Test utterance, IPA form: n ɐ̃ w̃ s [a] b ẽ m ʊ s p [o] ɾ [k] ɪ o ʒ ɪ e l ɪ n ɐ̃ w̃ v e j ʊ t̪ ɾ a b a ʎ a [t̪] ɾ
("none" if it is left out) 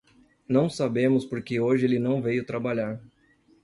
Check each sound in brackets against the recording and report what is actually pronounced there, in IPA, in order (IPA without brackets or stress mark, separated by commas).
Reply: a, o, k, none